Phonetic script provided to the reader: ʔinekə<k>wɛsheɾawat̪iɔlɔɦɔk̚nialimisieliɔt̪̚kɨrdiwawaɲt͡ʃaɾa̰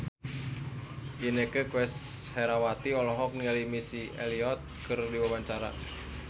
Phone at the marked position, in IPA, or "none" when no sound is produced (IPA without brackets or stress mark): k